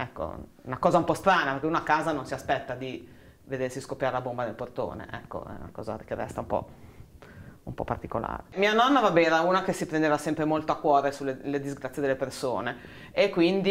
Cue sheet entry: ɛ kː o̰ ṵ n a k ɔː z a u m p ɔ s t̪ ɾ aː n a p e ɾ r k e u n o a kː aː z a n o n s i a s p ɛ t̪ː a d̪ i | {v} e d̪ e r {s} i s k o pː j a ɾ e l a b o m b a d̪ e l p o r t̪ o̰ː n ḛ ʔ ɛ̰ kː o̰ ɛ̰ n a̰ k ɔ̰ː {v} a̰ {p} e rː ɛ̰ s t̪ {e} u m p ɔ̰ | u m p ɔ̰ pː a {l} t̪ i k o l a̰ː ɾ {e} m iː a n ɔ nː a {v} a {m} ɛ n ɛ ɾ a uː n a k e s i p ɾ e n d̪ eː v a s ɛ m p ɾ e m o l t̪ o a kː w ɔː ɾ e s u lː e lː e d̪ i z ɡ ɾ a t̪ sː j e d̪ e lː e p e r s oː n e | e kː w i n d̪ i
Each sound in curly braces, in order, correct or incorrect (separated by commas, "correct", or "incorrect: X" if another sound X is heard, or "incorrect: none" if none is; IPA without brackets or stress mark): correct, correct, incorrect: z, incorrect: k, incorrect: a, incorrect: r, correct, correct, incorrect: b